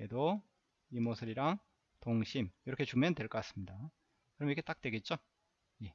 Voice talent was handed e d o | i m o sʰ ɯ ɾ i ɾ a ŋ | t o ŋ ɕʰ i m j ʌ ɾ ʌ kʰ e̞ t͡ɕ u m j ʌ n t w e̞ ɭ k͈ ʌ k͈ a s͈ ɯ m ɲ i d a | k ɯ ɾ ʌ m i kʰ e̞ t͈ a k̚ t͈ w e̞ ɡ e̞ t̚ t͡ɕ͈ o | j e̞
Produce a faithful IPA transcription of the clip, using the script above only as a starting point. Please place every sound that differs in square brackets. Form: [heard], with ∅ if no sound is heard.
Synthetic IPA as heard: e d o | i m o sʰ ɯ ɾ i ɾ a ŋ | t o ŋ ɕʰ i m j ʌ ɾ ʌ kʰ e̞ t͡ɕ u m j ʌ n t w e̞ ɭ k͈ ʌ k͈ a s͈ ɯ m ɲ i d a | k ɯ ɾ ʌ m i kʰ e̞ t͈ a k̚ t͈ w e̞ ɡ e̞ t̚ t͡ɕ͈ o | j e̞